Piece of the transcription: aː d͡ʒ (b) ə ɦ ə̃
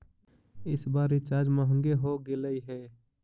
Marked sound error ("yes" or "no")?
yes